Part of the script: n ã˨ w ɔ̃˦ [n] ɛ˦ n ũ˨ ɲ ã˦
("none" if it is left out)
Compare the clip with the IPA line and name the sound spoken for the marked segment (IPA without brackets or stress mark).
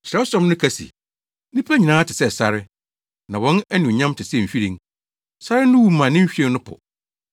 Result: n